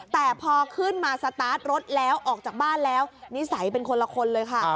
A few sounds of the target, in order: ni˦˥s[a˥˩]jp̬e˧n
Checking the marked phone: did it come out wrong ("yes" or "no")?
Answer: yes